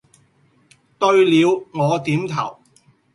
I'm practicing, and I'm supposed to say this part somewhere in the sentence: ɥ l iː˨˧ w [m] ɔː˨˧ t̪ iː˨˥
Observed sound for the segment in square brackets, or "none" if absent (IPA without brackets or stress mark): ŋ